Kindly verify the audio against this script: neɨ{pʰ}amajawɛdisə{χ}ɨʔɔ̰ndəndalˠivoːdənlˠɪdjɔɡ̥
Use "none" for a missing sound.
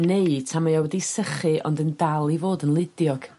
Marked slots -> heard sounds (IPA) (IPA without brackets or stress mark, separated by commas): tʰ, χ